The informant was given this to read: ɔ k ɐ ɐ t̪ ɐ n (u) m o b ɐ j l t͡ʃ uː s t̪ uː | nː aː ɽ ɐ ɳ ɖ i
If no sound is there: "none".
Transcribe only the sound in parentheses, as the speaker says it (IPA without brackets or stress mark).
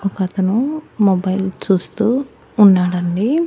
u